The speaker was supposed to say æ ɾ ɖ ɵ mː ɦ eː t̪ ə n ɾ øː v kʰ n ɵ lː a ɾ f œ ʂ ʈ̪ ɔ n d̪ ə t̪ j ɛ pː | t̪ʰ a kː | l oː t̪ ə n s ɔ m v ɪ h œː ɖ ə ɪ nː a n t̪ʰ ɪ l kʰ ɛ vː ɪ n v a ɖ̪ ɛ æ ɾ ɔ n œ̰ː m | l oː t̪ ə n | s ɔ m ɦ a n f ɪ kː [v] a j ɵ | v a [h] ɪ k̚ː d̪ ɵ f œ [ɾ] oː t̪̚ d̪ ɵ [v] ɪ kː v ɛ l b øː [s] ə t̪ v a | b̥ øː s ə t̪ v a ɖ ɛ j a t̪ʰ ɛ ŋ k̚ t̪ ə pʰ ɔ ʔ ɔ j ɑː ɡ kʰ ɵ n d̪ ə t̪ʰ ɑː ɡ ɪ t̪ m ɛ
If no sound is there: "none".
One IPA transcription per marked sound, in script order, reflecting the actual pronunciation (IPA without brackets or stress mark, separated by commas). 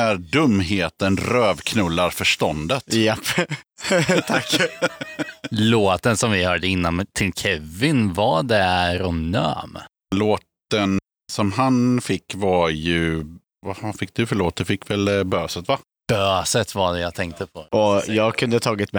v, f, ɭ, f, s